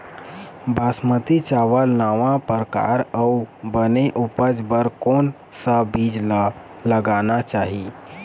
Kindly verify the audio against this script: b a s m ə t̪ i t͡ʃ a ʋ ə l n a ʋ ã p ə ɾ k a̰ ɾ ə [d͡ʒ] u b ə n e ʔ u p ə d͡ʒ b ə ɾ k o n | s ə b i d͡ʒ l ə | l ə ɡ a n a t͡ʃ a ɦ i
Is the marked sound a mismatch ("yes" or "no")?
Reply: yes